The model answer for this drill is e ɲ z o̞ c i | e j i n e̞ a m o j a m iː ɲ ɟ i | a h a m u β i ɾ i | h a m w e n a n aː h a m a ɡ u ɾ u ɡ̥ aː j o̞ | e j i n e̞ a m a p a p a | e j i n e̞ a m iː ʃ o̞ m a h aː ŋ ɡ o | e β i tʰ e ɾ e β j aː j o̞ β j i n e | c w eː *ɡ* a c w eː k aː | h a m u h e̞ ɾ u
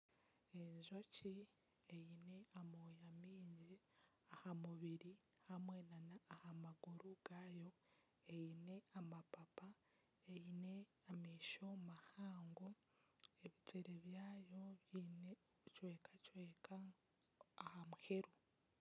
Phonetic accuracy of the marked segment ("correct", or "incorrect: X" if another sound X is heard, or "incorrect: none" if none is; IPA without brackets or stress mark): incorrect: k